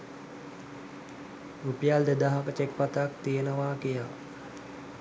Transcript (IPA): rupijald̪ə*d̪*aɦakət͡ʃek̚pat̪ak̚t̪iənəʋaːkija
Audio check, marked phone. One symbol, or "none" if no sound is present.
d̪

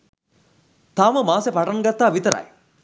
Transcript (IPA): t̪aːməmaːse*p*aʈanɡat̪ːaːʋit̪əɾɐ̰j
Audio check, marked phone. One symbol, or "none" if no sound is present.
p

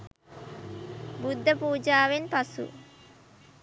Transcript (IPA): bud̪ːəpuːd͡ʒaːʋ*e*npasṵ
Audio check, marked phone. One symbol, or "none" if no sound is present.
e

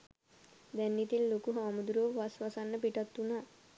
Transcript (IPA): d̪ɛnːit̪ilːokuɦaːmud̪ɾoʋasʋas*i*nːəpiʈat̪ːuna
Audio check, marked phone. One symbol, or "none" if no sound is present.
a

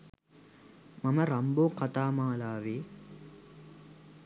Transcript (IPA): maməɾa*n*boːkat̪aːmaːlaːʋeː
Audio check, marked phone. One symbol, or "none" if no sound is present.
m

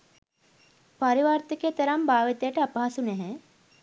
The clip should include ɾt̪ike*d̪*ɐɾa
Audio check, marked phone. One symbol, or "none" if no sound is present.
t̪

